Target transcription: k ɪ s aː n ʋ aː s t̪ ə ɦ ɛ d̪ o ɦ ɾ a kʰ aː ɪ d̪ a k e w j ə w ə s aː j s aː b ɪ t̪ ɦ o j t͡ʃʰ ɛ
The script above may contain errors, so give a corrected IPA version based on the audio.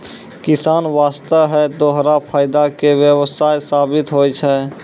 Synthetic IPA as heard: k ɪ s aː n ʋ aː s t̪ ə ɦ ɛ d̪ o ɦ ɾ a pʰ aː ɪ d̪ a k e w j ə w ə s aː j s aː b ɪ t̪ ɦ o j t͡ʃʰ ɛ